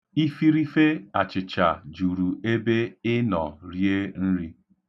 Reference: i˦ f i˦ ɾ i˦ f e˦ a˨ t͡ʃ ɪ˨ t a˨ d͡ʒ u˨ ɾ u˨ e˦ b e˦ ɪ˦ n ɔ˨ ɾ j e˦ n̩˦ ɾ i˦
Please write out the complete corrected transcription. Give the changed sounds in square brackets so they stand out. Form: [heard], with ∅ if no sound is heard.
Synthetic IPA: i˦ f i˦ ɾ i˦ f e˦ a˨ t͡ʃ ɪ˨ [t͡ʃ] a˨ d͡ʒ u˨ ɾ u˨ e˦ b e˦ ɪ˦ n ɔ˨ ɾ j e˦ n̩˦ ɾ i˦